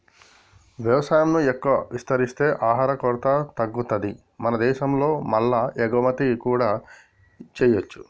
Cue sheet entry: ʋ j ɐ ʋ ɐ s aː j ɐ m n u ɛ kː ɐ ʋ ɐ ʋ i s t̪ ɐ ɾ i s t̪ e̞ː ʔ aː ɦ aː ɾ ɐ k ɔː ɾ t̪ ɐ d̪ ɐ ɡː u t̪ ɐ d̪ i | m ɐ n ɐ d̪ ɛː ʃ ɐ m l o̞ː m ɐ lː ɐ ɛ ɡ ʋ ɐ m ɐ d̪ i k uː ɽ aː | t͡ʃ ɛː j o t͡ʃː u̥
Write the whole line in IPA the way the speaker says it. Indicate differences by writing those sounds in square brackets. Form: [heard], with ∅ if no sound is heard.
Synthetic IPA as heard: ʋ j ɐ ʋ ɐ s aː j ɐ m n u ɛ kː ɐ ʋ ɐ ʋ i s t̪ ɐ ɾ i s t̪ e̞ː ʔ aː ɦ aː ɾ ɐ k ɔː ɾ t̪ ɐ [t̪] ɐ ɡː u t̪ ɐ d̪ i | m ɐ n ɐ d̪ ɛː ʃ ɐ m l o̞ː m ɐ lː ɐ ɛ ɡ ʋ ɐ m ɐ [t̪] i k uː ɽ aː | t͡ʃ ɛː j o t͡ʃː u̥